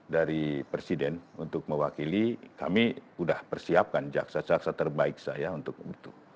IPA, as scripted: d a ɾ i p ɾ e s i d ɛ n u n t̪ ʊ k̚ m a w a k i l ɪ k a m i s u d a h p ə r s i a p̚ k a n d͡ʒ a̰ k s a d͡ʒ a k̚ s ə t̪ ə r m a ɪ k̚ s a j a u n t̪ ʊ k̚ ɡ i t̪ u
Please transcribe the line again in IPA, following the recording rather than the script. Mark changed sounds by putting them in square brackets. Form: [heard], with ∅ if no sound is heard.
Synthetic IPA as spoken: d a ɾ i p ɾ e s i d ɛ n u n t̪ ʊ k̚ m [ə] w a k i l [i] k a m i [∅] u d a h p ə r s i a p̚ k a n d͡ʒ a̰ k s a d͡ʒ a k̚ s [a] t̪ ə r [b] a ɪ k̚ s a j a u n t̪ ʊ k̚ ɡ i t̪ u